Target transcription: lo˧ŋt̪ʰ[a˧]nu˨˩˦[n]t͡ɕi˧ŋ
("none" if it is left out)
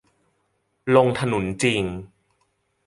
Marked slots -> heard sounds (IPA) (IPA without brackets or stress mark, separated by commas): a˧, n